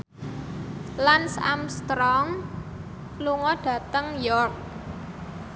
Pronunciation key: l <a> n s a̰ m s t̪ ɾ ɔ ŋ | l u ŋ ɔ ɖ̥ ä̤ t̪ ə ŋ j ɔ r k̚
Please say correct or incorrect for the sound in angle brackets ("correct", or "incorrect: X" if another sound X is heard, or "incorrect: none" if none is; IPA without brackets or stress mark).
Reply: correct